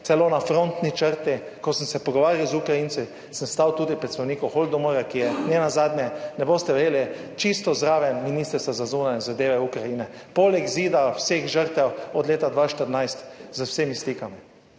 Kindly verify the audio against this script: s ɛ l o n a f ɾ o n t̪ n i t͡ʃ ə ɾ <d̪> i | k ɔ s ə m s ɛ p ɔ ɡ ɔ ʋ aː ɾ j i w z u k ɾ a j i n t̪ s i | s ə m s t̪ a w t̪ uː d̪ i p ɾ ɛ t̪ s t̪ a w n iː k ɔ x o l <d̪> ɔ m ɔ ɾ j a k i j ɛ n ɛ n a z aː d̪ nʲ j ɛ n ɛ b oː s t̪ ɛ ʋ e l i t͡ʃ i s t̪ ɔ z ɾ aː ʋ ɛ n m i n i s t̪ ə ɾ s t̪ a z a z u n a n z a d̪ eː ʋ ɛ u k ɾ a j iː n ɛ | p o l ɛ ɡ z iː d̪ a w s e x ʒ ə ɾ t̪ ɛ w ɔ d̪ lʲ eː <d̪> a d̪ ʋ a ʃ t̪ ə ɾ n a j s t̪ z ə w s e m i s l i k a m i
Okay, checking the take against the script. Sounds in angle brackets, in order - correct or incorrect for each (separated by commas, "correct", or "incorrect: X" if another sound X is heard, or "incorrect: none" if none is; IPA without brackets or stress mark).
incorrect: t̪, correct, incorrect: t̪